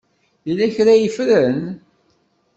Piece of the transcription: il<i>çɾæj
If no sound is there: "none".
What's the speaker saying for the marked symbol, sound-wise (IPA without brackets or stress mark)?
æ